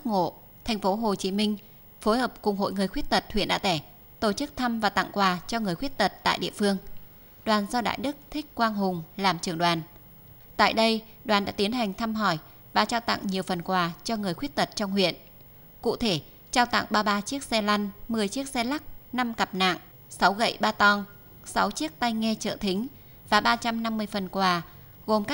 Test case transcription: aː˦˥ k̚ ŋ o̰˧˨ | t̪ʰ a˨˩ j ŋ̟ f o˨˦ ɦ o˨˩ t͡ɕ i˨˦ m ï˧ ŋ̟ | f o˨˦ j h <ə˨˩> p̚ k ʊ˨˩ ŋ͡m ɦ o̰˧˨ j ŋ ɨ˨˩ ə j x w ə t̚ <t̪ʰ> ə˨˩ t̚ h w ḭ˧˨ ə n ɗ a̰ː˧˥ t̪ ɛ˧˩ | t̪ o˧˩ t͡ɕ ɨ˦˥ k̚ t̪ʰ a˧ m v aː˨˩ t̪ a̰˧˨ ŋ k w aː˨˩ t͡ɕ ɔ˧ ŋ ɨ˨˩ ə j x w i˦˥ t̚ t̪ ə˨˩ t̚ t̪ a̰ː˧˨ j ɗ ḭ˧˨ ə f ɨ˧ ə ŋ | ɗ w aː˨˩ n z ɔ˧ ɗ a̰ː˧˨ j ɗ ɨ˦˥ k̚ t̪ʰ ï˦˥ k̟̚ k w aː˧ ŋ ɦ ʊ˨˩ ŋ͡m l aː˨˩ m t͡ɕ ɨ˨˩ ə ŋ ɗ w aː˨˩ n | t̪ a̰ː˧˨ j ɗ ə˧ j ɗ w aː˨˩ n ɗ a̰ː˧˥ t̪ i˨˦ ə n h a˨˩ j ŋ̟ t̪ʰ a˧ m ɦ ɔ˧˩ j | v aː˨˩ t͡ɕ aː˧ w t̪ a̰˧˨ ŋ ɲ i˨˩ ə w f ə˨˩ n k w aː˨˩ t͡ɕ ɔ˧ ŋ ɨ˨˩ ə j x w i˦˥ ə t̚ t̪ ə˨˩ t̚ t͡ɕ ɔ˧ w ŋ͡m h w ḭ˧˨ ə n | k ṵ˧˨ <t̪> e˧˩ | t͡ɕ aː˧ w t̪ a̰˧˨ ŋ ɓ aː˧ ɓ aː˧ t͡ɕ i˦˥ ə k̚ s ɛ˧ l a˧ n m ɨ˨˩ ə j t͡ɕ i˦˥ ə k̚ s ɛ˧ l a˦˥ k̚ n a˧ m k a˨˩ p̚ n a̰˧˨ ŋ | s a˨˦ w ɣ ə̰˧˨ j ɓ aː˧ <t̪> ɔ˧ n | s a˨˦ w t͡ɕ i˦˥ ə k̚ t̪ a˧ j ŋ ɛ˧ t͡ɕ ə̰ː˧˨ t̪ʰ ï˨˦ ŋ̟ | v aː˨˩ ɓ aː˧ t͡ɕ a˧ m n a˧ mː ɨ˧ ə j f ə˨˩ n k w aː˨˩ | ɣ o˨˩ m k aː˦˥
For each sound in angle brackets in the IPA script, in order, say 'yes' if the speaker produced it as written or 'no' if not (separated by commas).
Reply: no, no, no, yes